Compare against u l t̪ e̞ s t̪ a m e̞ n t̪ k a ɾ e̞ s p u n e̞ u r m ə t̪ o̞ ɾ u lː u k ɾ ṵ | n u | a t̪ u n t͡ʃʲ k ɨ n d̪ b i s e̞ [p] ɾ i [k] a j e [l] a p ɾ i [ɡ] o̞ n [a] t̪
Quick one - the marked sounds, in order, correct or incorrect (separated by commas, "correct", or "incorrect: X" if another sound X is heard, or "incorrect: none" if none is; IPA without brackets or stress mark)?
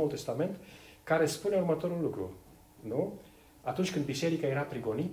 incorrect: none, correct, incorrect: ɾ, correct, incorrect: i